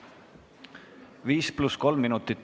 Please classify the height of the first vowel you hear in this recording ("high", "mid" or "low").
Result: high